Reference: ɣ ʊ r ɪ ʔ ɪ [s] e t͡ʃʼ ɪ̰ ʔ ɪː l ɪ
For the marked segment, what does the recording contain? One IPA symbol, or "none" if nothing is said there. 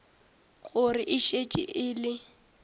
ʃ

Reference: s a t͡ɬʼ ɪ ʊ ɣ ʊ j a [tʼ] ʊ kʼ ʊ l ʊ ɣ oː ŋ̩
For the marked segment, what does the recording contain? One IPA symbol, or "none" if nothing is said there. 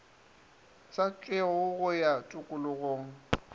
tʼ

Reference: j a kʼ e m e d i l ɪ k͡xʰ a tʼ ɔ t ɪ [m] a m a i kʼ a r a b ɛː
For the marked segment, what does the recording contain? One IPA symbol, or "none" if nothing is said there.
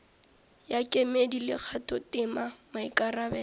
m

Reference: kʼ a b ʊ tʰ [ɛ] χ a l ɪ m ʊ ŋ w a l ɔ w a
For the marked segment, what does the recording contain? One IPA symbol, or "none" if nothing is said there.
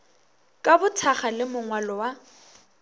a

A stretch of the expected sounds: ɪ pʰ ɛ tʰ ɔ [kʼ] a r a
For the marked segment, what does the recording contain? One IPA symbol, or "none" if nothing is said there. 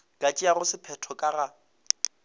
kʼ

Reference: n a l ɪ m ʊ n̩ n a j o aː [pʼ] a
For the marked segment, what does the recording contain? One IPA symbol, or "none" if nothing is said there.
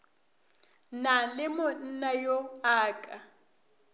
kʼ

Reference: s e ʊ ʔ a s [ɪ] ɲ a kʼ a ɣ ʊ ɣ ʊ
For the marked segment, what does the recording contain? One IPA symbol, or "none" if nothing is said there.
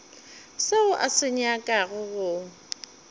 ɪ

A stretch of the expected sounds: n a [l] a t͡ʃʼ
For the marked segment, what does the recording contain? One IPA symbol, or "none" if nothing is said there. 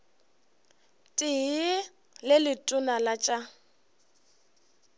l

